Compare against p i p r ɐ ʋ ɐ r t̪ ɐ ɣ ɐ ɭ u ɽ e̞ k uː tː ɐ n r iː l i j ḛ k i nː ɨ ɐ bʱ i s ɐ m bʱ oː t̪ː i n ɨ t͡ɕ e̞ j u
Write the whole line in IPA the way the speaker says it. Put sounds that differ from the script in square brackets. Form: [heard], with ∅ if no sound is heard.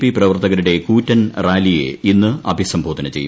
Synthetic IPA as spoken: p i p r ɐ ʋ ɐ r t̪ ɐ ɣ ɐ [ɾ] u ɽ e̞ k uː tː ɐ n r [aː] l i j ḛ [∅] i nː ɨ ɐ bʱ i s ɐ m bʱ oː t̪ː i n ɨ t͡ɕ e̞ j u